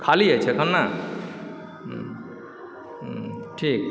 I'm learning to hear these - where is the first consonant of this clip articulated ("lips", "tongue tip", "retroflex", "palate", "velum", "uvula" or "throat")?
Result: velum